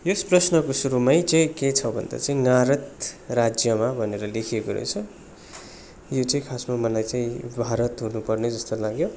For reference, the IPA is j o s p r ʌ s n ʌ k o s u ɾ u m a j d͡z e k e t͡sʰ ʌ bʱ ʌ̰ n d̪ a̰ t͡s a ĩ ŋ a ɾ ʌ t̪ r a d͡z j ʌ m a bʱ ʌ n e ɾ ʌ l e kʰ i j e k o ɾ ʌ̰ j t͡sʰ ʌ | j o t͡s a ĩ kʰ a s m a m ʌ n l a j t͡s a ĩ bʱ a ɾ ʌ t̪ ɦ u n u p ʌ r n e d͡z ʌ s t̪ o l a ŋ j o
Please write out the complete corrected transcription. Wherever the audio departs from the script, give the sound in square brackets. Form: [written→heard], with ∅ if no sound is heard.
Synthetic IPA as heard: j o s p r ʌ s n ʌ k o s u ɾ u m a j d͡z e k e t͡sʰ ʌ bʱ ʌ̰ n d̪ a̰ t͡s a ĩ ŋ a ɾ ʌ t̪ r a d͡z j ʌ m a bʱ ʌ n e ɾ ʌ l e kʰ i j e k o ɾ ʌ̰ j t͡sʰ ʌ | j o t͡s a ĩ kʰ a s m a m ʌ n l a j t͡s a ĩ bʱ a ɾ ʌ t̪ ɦ u n u p ʌ r n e d͡z ʌ s t̪ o l a [ŋ→ɡ] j o